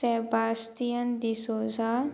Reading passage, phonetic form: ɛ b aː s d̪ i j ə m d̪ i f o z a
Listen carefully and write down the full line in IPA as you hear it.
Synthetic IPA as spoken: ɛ b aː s t̪ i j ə n d̪ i s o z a